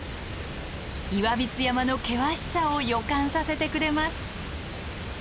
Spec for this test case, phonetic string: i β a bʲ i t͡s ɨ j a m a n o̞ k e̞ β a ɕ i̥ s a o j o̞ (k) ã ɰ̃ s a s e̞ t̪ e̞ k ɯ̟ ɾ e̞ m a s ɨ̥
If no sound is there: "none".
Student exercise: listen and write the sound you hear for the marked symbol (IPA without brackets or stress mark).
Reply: k